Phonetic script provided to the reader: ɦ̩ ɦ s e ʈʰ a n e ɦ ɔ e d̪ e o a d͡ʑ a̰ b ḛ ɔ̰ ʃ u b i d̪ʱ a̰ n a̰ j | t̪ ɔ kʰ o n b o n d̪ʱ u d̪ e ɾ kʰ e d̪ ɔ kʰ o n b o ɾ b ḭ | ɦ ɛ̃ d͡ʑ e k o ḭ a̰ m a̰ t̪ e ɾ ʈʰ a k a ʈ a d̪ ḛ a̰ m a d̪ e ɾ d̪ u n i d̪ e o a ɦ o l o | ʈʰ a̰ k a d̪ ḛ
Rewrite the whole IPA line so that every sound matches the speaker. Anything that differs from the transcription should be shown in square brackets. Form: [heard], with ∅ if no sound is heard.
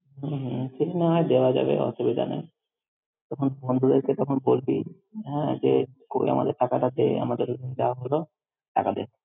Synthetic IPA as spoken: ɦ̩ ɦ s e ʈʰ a n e ɦ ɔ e d̪ e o a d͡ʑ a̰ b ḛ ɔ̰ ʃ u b i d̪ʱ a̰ n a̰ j | t̪ ɔ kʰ o n b o n d̪ʱ u d̪ e ɾ [k] e [t̪] ɔ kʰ o n b o [l] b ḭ | ɦ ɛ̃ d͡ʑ e k o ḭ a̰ m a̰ [d̪] e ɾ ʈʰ a k a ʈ a d̪ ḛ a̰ m a d̪ e ɾ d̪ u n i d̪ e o a ɦ o l o | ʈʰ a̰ k a d̪ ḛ